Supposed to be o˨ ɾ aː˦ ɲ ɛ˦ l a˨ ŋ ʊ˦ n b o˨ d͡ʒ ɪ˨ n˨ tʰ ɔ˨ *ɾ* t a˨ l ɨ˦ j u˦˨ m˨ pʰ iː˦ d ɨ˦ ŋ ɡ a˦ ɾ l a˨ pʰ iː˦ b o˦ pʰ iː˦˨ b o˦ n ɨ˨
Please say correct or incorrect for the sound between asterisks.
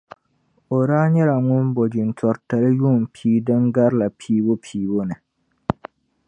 correct